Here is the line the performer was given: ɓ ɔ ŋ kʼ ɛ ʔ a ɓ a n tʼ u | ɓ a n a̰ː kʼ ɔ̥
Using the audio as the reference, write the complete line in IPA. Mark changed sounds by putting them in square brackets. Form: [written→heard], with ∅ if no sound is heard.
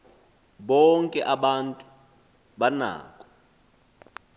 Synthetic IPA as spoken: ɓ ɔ ŋ kʼ ɛ ʔ a ɓ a n tʼ u | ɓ a n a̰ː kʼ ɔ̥